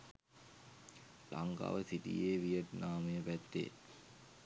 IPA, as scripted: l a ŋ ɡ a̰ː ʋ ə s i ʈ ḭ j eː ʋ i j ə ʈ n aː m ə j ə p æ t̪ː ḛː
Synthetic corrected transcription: l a ŋ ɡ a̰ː ʋ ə s i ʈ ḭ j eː ʋ i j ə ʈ n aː m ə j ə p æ t̪ː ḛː